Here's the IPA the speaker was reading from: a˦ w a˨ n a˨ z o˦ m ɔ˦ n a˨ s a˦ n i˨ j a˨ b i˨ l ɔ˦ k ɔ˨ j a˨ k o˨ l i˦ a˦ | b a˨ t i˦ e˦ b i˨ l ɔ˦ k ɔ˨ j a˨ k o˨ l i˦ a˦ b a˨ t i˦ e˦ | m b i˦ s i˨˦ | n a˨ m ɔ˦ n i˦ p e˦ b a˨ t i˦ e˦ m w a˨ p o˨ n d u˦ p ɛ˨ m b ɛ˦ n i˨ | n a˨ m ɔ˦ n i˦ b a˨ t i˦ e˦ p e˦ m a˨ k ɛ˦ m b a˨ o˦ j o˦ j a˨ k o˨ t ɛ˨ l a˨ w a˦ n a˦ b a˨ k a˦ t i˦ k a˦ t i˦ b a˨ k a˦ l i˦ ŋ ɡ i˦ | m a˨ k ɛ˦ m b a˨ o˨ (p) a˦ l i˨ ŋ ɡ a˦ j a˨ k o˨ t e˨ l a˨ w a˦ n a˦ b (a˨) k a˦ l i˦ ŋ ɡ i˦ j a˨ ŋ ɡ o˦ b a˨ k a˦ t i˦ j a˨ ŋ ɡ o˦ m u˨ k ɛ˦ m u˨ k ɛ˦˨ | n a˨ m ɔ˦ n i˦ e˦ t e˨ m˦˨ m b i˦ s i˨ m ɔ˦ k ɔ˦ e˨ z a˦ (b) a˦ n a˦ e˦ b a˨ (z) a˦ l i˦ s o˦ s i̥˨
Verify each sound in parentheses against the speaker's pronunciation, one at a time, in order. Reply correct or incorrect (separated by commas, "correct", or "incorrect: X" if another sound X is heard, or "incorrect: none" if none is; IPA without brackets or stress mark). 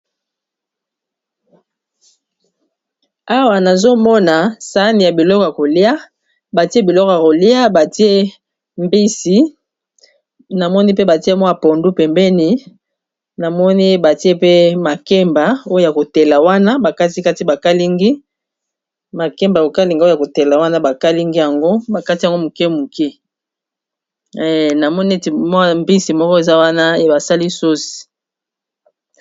incorrect: k, correct, incorrect: w, incorrect: s